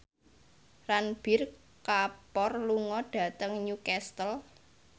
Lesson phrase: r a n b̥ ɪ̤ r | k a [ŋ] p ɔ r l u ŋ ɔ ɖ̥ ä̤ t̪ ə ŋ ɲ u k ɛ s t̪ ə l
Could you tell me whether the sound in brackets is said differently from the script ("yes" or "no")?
yes